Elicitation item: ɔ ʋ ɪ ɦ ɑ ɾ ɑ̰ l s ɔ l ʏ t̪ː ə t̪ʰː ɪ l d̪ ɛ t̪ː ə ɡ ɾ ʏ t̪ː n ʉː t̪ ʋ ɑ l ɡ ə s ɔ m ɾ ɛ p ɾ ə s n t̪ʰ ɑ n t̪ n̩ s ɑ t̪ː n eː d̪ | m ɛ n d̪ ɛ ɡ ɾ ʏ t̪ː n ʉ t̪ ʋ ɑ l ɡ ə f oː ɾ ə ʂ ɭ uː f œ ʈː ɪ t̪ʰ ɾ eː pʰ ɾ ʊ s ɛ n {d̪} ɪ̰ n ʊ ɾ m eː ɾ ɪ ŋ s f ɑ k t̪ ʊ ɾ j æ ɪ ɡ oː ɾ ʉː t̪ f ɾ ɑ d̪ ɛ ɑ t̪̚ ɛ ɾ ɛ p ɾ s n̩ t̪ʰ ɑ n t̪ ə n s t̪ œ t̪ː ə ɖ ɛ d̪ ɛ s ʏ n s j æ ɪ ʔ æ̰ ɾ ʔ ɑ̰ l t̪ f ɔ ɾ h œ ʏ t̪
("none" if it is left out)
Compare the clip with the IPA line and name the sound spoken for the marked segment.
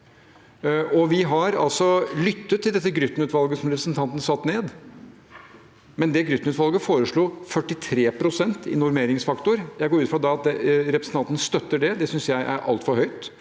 t̪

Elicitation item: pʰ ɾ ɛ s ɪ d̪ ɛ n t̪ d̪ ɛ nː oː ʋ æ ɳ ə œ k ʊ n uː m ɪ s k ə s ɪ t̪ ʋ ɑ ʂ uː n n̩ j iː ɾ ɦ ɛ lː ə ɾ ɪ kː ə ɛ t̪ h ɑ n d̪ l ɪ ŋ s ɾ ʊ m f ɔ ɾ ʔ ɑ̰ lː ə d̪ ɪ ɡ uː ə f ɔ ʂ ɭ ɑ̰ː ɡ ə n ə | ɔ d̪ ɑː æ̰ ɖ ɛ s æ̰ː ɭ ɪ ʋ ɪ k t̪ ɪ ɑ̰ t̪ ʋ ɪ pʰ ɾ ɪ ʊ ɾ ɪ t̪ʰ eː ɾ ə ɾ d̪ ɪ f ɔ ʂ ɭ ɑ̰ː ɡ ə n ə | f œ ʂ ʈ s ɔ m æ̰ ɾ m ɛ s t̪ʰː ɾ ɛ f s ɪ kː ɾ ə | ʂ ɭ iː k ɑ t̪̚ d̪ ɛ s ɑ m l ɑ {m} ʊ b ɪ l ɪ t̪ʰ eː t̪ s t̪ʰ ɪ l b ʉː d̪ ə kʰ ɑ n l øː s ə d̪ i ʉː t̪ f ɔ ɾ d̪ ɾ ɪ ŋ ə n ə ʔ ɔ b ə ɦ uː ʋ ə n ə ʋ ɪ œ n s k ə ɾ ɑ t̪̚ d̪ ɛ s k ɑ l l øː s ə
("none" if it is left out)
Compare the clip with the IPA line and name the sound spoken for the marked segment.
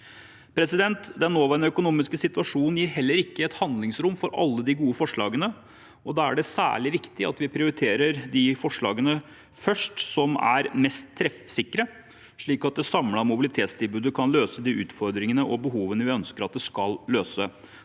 m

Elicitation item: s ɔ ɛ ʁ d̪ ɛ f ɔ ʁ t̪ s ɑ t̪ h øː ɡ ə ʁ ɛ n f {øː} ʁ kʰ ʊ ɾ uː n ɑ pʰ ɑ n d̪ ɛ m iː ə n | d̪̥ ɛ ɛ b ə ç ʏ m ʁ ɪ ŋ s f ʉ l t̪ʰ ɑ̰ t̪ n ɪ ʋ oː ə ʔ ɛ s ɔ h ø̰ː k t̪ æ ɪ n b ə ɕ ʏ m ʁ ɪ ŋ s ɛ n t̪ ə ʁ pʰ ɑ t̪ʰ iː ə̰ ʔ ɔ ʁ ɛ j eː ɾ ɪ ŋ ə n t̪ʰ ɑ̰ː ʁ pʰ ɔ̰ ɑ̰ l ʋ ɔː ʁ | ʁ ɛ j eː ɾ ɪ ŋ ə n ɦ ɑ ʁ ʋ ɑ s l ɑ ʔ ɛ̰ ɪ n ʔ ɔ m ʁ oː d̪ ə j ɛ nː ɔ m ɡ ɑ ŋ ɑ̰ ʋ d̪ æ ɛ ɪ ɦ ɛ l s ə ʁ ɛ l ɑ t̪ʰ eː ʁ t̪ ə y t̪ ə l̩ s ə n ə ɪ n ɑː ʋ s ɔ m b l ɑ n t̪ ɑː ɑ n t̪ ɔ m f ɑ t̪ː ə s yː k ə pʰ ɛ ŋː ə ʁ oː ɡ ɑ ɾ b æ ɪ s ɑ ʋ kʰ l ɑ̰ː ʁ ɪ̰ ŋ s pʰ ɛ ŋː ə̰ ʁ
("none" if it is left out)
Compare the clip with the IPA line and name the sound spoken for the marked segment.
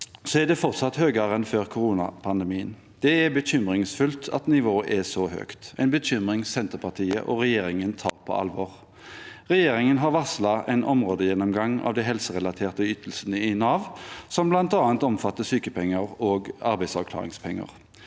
øː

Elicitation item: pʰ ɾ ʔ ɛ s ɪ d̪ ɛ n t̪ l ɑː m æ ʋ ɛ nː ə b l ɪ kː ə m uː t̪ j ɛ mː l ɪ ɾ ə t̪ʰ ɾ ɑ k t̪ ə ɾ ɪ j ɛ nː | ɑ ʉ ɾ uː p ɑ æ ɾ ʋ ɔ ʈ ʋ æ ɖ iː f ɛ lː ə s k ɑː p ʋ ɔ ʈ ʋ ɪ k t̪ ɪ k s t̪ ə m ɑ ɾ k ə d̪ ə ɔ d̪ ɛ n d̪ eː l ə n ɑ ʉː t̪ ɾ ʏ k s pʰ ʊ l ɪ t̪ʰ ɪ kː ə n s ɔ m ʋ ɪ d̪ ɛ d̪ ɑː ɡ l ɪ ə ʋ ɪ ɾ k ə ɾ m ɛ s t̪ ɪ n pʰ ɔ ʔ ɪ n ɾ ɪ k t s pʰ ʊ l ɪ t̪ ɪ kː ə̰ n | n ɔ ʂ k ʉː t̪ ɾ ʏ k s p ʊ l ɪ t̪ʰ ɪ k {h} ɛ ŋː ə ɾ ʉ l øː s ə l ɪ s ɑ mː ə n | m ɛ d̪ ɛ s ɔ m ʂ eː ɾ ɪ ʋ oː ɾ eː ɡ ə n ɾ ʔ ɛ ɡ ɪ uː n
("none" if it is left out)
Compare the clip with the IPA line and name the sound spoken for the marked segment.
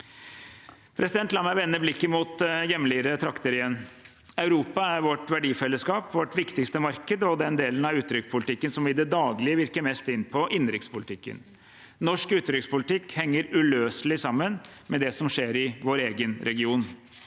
h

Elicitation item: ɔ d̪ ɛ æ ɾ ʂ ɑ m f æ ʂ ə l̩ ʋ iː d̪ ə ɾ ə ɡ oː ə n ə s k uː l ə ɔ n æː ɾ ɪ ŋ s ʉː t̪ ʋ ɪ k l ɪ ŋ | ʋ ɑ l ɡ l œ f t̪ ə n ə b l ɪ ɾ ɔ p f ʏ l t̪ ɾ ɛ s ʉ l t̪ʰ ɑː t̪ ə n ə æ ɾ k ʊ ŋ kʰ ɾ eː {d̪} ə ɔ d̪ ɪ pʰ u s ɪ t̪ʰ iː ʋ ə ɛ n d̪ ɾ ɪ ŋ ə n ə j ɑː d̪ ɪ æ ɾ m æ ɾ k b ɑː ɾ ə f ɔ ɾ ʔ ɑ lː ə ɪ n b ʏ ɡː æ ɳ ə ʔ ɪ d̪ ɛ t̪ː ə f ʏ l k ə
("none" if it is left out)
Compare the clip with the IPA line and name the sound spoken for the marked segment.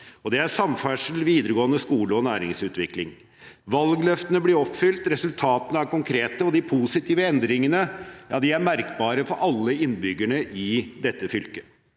t̪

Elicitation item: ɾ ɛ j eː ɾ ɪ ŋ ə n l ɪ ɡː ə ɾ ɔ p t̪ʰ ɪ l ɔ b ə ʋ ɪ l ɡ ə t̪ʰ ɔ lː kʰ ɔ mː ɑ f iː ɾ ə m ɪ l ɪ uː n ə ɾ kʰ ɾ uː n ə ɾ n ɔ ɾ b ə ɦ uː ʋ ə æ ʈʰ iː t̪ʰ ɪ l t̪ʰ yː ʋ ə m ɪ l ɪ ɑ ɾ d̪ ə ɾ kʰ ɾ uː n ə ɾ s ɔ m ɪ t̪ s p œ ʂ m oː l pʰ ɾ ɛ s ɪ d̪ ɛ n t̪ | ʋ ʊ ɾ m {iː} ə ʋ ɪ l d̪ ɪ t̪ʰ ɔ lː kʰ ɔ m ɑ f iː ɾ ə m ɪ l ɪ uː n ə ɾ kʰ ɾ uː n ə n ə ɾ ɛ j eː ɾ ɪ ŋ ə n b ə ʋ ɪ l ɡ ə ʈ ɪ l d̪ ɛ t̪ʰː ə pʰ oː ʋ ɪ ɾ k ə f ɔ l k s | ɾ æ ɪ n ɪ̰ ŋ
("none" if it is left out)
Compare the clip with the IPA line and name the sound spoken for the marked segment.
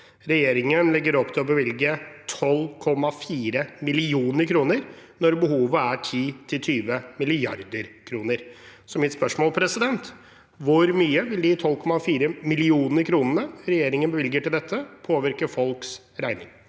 yː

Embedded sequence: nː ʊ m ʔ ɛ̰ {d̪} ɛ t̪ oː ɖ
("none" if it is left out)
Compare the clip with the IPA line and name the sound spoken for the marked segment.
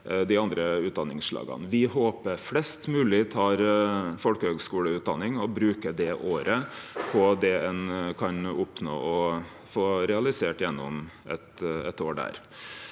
t̪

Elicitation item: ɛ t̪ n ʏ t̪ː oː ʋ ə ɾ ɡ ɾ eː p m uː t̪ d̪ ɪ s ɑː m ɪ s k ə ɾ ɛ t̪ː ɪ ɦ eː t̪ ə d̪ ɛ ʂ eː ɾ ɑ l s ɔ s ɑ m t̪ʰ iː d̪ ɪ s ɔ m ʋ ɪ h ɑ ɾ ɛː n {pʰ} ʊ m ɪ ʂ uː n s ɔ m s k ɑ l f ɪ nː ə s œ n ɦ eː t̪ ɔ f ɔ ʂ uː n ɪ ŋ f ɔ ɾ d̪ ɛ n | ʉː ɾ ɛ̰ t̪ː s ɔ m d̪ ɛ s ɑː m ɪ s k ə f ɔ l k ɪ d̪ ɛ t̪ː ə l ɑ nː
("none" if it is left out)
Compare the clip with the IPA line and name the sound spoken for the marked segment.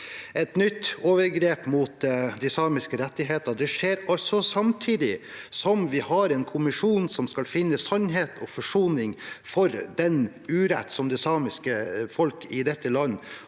kʰ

